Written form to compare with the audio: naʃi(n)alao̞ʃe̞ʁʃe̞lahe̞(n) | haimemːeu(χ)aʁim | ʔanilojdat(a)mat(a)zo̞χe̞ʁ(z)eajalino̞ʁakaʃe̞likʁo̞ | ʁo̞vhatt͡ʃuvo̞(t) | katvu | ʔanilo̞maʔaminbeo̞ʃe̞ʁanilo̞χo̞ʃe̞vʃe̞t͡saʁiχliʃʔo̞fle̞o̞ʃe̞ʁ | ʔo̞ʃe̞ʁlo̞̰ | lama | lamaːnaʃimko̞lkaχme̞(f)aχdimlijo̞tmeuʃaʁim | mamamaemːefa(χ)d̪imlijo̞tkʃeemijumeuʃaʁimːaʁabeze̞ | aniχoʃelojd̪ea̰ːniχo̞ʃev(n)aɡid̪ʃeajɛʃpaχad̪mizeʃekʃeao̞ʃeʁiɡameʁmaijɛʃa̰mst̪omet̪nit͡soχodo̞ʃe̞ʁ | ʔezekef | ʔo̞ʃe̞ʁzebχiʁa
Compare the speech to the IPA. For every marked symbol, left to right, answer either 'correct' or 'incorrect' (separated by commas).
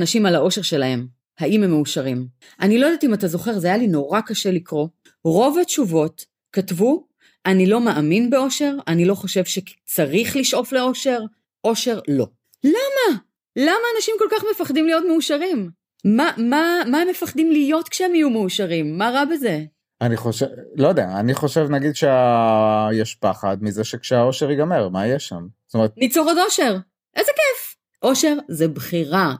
incorrect, incorrect, incorrect, incorrect, correct, correct, correct, correct, correct, correct